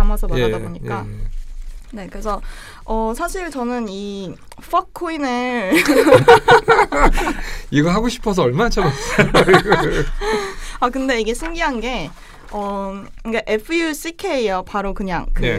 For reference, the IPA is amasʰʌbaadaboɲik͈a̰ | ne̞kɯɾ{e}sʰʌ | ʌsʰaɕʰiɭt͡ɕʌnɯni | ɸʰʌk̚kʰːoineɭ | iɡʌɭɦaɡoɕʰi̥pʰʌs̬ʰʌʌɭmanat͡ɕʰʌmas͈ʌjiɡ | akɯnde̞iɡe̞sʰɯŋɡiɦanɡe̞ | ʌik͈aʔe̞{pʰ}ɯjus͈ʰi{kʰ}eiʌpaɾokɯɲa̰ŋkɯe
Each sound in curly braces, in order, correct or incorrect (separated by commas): correct, correct, correct